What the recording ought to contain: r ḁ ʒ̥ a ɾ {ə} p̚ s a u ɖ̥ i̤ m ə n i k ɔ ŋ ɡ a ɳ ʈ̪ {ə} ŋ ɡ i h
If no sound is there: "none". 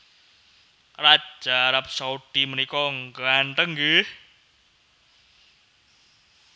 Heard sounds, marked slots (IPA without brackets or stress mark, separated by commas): a, ə